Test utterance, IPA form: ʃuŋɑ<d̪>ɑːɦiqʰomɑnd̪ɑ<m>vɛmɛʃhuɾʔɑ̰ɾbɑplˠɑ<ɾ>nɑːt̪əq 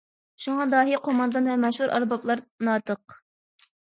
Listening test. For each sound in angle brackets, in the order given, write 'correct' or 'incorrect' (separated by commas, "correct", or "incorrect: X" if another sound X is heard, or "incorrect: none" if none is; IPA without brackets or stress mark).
correct, incorrect: n, correct